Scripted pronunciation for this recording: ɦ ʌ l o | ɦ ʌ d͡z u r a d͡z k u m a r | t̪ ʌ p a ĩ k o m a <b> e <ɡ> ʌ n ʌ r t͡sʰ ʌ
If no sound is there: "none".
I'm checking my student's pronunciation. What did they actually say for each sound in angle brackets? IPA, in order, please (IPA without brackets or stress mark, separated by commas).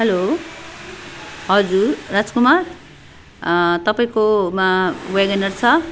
w, ɡ